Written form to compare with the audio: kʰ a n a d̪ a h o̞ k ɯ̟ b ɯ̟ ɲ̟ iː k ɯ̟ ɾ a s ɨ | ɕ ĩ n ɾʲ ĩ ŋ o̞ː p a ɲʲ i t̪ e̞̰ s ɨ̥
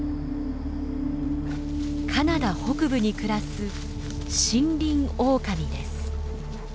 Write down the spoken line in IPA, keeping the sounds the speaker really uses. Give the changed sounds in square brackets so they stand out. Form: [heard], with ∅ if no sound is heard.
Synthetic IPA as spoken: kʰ a n a d̪ a h o̞ k ɯ̟ b ɯ̟ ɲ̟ [i] k ɯ̟ ɾ a s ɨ | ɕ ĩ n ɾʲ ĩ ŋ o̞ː [k] a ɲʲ i [d̪] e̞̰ s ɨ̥